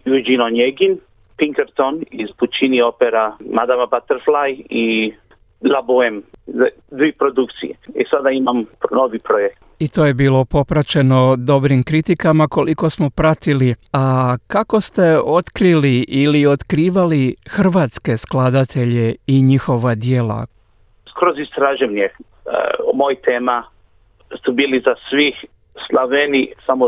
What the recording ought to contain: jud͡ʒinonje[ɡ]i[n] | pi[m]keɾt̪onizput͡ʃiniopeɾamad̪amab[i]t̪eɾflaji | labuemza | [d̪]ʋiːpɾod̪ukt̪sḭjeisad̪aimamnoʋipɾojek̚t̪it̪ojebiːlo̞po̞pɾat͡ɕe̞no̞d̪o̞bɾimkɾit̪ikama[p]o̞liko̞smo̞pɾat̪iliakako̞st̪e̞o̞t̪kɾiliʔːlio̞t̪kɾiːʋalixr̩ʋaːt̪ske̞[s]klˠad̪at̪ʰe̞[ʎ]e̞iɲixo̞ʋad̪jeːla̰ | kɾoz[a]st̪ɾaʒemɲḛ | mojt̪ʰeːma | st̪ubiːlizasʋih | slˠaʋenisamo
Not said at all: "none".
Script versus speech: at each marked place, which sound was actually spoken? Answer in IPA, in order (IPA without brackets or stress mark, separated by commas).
ɡ, n, ŋ, a, d̪, k, s, ʎ, i